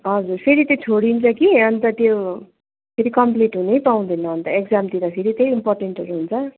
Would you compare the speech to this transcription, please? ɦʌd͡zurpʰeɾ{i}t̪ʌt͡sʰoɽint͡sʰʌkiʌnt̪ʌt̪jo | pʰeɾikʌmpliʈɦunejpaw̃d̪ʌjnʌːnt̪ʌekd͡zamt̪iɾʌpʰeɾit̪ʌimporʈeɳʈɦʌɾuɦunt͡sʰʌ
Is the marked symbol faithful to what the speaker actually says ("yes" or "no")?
yes